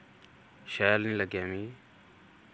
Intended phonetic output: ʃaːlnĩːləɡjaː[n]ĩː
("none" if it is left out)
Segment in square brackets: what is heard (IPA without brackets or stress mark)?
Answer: m